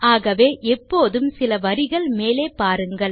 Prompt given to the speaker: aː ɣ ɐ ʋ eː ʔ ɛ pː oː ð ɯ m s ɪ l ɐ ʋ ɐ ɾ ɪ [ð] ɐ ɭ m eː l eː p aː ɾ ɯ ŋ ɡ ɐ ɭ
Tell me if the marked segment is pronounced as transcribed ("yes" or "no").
no